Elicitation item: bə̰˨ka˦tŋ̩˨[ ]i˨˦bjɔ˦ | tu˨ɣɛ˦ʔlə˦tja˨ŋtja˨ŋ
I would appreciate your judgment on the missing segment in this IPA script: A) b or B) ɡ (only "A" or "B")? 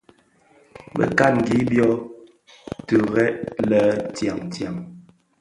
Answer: B